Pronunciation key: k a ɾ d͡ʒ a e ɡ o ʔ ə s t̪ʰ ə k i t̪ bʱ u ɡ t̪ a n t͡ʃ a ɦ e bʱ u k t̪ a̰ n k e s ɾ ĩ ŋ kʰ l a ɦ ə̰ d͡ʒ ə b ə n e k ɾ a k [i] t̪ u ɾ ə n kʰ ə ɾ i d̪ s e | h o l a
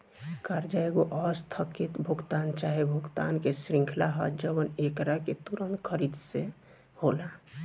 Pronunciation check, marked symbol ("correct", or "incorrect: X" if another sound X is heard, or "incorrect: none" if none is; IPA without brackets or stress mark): incorrect: e